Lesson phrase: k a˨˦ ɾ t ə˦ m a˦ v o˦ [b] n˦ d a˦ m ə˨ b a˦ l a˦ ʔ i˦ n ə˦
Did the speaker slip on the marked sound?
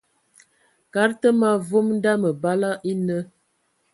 yes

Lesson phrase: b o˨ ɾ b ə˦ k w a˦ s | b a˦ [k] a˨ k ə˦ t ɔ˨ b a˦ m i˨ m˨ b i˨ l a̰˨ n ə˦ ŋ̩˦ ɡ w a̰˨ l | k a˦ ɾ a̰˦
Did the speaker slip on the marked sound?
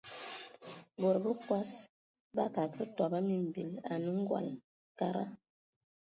no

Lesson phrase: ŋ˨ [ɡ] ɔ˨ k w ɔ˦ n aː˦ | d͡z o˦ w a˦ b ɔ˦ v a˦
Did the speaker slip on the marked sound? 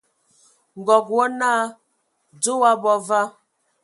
no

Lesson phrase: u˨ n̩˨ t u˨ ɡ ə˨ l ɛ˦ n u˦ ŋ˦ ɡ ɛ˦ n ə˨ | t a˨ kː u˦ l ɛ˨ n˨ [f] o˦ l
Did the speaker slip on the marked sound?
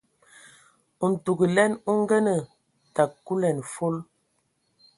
no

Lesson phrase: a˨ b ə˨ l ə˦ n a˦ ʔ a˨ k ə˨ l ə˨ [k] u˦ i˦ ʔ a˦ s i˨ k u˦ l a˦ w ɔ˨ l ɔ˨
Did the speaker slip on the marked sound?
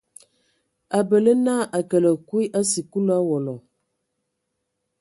no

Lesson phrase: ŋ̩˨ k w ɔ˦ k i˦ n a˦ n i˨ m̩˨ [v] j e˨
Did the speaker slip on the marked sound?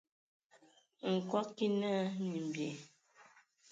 yes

